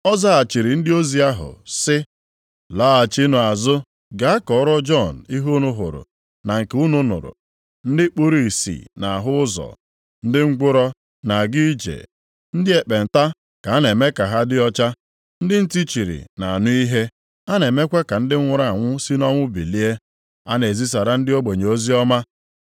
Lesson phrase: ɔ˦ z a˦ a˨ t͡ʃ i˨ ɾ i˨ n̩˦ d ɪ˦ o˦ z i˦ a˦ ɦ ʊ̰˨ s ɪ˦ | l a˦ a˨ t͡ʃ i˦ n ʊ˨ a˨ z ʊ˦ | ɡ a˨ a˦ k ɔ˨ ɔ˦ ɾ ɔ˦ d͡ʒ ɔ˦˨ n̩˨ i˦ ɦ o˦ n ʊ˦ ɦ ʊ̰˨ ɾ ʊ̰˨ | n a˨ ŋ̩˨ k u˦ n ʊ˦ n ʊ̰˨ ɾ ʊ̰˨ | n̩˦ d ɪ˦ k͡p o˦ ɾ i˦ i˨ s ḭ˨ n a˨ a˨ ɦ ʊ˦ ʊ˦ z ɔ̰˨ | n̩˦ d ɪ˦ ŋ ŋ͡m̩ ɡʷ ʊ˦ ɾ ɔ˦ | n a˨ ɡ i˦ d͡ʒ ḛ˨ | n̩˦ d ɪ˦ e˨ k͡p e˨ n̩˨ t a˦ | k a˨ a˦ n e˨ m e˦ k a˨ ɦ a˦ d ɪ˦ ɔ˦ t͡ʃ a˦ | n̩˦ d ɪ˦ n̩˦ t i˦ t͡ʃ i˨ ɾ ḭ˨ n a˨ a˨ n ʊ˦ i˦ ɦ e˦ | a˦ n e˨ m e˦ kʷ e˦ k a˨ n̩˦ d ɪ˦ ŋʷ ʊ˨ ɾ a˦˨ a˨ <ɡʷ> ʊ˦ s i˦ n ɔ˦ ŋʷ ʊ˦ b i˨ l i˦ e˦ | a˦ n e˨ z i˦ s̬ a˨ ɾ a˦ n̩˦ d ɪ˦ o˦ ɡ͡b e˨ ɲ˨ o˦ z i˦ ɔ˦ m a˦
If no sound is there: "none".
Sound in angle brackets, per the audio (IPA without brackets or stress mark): ŋʷ